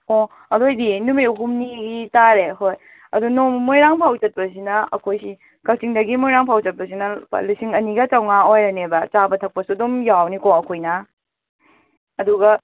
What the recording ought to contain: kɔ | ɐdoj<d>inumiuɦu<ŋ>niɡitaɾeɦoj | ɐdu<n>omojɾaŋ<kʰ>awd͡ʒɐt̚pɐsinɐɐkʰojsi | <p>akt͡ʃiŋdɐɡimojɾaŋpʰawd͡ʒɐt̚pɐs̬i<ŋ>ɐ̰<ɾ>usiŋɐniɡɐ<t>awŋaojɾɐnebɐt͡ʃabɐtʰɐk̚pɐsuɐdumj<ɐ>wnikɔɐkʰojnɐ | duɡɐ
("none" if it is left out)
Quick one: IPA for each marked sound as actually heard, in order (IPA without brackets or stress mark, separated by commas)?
d, m, n, pʰ, k, n, l, t͡ʃ, a